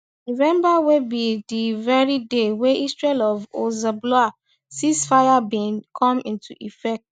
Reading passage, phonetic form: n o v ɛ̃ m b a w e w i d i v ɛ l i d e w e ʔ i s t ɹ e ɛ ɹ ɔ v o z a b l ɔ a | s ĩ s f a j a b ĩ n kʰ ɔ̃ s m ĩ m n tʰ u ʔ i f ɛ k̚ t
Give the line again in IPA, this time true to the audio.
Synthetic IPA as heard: n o v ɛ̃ m b a w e b i d i v ɛ ɹ i d e w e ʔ i s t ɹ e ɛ l ɔ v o z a b l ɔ a | s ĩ s f a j a b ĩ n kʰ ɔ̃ m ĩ n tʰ u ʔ i f ɛ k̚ t